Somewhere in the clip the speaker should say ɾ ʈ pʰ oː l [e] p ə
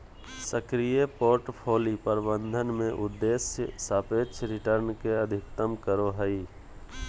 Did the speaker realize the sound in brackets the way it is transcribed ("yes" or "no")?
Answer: no